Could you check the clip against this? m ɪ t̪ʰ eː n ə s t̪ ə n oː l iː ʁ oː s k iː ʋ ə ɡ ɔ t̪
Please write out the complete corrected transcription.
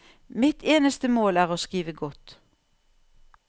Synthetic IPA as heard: m ɪ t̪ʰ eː n ə s t̪ ə m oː l æː ʁ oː s k iː ʋ ə ɡ ɔ t̪